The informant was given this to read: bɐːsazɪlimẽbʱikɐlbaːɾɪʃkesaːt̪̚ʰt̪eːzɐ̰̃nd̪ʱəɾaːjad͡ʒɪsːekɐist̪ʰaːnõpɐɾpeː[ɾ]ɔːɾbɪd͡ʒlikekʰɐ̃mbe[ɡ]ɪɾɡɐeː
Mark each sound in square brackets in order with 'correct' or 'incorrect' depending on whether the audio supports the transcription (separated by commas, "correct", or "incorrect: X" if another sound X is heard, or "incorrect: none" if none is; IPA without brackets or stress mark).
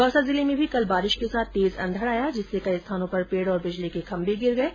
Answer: incorrect: ɽ, correct